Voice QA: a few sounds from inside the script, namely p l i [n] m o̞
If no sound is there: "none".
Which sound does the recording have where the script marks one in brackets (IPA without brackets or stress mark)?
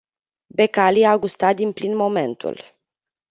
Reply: n